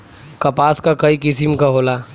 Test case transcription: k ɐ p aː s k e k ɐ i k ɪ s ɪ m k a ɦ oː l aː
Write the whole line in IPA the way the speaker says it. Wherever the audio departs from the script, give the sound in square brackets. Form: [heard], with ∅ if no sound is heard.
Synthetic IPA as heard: k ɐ p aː s k [a] k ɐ i k ɪ s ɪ m k a ɦ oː l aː